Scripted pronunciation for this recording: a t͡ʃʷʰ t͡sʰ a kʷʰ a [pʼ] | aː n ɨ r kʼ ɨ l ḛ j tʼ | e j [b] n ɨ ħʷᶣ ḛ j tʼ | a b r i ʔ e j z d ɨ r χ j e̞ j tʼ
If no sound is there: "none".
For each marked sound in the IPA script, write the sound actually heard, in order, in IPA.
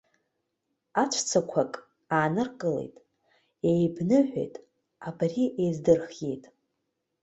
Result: kʼ, b

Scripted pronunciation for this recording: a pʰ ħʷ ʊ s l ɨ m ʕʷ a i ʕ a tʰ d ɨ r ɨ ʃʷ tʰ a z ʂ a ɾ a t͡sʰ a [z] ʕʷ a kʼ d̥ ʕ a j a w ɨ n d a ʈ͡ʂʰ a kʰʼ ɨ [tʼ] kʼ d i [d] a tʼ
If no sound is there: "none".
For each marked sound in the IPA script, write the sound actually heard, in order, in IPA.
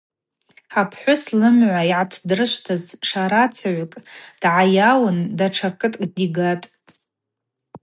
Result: none, tʼ, ɡ

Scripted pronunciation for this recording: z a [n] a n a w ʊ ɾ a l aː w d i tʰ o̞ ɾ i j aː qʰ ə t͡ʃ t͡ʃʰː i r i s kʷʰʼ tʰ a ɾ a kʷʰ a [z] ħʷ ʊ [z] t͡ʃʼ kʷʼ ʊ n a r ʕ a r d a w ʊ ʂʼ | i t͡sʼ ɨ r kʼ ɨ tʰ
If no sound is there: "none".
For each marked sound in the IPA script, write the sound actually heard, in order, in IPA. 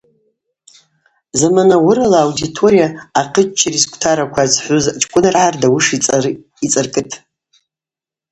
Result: m, z, z

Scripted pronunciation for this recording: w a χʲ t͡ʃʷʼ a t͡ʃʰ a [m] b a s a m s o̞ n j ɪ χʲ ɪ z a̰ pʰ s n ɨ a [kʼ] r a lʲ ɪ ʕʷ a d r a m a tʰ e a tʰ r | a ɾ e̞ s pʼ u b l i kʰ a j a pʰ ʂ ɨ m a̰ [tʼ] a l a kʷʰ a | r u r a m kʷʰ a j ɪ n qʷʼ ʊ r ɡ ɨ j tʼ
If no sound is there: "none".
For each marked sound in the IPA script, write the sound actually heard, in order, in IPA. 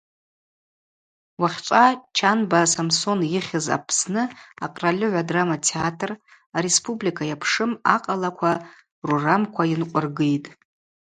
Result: n, qʼ, qʼ

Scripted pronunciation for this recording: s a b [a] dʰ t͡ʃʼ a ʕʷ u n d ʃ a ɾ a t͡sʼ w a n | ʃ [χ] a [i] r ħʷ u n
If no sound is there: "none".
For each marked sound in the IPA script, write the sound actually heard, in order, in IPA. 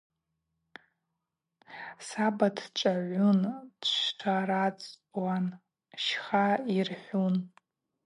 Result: a, χ, i

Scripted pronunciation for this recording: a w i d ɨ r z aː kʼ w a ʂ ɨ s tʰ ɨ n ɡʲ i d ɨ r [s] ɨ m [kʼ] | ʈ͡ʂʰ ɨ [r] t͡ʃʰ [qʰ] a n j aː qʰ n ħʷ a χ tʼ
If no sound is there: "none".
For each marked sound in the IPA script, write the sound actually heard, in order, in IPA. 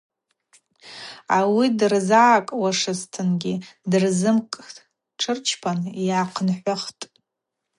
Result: z, kʼ, r, pʰ

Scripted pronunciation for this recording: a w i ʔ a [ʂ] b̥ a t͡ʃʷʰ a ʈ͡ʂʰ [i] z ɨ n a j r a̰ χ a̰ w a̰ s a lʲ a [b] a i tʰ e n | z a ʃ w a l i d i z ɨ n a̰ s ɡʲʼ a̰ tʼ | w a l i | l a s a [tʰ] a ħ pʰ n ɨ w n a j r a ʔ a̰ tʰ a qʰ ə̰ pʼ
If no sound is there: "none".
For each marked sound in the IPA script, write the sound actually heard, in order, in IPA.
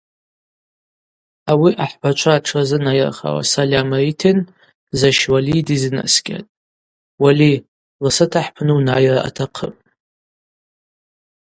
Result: ħ, a, m, tʰ

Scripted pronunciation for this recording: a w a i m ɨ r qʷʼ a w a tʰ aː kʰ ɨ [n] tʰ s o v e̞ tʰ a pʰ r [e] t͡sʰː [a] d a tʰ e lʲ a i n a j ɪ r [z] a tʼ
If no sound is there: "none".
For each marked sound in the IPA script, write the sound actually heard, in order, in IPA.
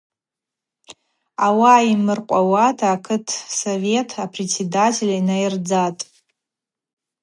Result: none, e, e, d͡z

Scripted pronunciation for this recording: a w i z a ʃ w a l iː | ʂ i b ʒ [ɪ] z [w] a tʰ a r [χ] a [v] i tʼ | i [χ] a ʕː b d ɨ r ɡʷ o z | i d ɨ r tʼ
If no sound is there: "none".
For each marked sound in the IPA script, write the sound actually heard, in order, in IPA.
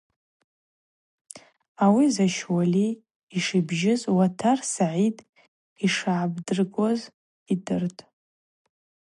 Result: ɪ, w, s, ʕ, ʂ

